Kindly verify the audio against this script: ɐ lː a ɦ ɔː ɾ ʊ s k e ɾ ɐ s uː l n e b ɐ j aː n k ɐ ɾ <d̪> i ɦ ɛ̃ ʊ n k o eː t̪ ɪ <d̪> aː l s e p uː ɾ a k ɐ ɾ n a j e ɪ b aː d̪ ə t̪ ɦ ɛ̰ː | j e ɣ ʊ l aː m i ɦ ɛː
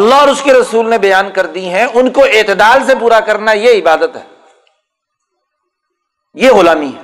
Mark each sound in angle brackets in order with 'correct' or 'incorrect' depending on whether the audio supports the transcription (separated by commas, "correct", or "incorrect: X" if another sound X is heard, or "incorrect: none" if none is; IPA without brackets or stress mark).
correct, correct